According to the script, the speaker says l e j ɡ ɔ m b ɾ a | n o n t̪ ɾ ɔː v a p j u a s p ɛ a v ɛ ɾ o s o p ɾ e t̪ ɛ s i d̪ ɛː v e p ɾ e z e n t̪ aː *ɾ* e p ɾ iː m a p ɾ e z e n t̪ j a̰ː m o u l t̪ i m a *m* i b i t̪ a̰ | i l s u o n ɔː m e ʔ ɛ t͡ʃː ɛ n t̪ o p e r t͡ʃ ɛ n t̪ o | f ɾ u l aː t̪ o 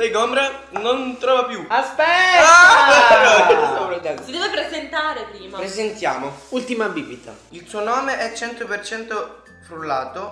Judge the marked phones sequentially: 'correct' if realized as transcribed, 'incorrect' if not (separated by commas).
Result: correct, incorrect